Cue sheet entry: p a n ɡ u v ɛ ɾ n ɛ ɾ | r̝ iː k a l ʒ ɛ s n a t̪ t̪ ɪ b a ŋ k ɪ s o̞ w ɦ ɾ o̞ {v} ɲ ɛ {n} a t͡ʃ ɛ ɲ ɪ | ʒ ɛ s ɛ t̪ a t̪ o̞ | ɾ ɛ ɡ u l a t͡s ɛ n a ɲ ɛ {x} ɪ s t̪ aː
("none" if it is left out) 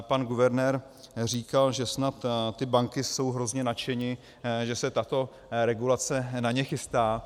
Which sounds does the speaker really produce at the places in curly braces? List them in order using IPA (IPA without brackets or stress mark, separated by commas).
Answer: z, n, x